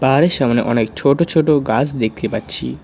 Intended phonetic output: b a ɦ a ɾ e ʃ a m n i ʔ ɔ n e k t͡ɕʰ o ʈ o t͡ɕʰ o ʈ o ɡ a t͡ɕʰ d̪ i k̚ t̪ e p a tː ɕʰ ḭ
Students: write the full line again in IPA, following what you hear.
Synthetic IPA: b a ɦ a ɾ e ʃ a m n e ʔ ɔ n e k t͡ɕʰ o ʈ o t͡ɕʰ o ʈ o ɡ a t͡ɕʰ d̪ e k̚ t̪ e p a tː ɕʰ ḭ